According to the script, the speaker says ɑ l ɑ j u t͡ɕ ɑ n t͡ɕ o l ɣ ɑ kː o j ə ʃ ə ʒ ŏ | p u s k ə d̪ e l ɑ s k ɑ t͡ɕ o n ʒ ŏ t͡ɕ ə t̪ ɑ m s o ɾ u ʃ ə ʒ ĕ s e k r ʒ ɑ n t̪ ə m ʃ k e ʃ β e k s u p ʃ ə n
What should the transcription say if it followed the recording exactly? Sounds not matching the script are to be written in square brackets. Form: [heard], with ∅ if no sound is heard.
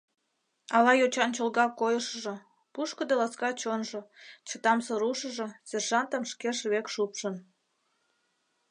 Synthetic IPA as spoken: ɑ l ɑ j [o] t͡ɕ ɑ n t͡ɕ o l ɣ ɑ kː o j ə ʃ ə ʒ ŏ | p u [ʃ] k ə d̪ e l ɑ s k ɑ t͡ɕ o n ʒ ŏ t͡ɕ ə t̪ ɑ m s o ɾ u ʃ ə ʒ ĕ s e [∅] r ʒ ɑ n t̪ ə m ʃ k e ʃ β e k [ʃ] u p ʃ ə n